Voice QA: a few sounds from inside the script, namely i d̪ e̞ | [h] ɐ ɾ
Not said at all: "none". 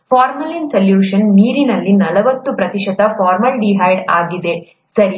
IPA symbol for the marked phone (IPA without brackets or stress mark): s